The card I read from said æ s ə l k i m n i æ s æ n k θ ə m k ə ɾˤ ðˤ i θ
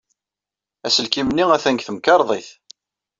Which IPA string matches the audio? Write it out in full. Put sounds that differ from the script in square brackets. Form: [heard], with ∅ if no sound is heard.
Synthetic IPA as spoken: æ s ə l k i m n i æ [θ] æ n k θ ə m k [ɑ] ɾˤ ðˤ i θ